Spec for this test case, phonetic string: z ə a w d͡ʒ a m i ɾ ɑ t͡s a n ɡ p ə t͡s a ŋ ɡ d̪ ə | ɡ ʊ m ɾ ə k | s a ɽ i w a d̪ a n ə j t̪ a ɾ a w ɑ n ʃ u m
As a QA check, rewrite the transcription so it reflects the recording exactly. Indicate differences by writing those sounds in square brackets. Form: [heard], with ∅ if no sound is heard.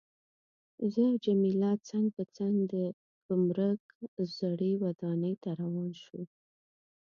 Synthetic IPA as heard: z ə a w d͡ʒ a m i [l] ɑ t͡s a [ŋ] ɡ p ə t͡s a ŋ ɡ d̪ ə | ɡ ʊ m ɾ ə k | [z] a ɽ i w a d̪ [ɑ] n ə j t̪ a ɾ a w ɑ n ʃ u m